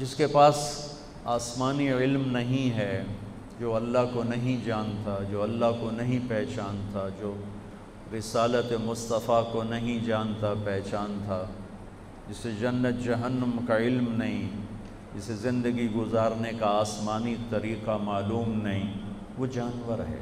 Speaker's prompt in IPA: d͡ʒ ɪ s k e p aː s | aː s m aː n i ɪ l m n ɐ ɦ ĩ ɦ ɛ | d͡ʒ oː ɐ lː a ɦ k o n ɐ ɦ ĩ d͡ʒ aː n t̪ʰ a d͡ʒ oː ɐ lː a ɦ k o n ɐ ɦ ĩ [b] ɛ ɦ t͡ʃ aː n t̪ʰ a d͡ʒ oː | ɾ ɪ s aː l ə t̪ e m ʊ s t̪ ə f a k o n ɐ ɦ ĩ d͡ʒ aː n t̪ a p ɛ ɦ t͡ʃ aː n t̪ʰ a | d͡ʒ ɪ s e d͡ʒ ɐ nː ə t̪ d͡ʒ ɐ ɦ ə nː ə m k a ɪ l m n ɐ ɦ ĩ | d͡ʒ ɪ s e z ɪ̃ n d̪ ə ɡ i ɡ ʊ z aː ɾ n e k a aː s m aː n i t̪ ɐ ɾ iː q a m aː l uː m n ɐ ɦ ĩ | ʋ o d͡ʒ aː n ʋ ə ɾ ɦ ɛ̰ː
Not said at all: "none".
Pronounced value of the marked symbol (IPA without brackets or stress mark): p